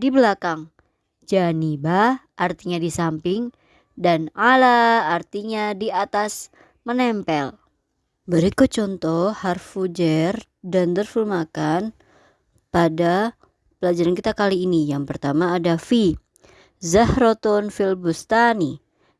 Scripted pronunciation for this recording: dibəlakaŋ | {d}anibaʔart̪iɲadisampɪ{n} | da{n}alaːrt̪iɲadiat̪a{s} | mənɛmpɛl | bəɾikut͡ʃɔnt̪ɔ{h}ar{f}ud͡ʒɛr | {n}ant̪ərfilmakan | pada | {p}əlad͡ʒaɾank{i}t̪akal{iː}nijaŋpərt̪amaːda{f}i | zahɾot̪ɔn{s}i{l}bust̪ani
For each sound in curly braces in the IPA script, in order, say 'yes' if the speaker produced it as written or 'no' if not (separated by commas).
no, no, yes, yes, yes, yes, no, yes, yes, yes, yes, no, yes